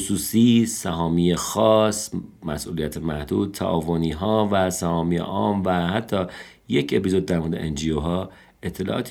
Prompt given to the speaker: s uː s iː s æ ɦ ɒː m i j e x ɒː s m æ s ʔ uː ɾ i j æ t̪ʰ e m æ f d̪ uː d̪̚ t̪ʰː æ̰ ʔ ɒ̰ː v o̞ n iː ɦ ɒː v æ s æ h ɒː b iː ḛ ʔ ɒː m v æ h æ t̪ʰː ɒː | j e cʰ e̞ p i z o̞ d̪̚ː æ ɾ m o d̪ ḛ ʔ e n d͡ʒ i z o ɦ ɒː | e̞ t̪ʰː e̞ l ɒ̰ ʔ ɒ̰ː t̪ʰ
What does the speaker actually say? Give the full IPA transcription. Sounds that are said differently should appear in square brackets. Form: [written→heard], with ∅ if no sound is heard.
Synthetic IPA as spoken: s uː s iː s æ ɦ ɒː m i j e x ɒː s m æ s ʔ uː [ɾ→l] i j æ t̪ʰ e m æ [f→h] d̪ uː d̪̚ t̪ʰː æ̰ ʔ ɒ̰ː v o̞ n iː ɦ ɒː v æ s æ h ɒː [b→m] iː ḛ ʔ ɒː m v æ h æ t̪ʰː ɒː | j e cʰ e̞ p i z o̞ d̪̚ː æ ɾ m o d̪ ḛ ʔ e n d͡ʒ i [z→∅] o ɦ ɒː | e̞ t̪ʰː e̞ l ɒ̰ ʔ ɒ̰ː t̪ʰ